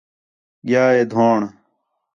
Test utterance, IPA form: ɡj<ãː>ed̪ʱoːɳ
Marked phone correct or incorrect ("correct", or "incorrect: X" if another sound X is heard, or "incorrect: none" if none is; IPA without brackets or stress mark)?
incorrect: aː